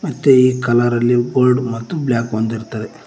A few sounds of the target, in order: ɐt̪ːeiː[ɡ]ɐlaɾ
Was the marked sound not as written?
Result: yes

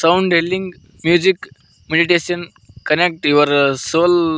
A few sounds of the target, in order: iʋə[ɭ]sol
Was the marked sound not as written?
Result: yes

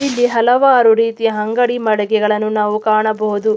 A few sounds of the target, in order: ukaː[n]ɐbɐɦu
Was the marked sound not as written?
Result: yes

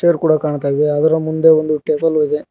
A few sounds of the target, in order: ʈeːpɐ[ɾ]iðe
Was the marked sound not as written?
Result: yes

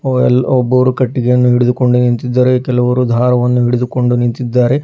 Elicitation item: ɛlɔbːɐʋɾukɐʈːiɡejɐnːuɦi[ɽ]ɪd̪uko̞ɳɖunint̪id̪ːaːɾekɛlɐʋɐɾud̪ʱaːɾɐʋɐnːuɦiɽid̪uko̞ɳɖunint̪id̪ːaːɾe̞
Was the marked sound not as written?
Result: no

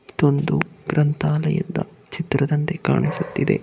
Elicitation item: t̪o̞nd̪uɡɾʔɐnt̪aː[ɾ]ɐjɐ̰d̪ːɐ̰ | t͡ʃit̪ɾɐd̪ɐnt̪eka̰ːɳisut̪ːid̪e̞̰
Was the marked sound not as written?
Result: yes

